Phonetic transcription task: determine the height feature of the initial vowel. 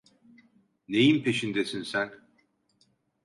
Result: mid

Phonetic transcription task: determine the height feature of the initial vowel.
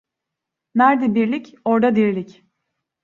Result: low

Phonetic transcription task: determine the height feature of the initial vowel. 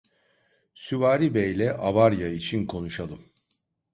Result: high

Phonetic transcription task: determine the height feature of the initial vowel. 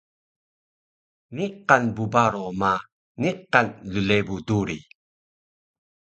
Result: high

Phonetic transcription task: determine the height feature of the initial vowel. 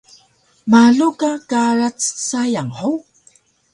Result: low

